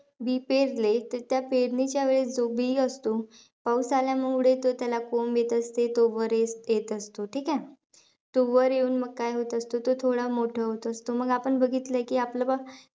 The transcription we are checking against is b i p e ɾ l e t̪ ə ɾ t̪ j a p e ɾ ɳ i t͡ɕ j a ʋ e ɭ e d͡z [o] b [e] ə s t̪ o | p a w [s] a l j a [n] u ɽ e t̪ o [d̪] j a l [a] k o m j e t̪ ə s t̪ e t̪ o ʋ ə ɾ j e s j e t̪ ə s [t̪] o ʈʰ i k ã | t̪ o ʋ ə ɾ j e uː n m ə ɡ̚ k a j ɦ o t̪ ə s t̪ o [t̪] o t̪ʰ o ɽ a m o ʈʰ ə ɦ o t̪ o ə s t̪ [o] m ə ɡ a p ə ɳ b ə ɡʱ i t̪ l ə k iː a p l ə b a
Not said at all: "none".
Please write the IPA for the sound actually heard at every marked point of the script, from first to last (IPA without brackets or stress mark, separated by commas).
o, i, s, m, t̪, a, t̪, t̪, o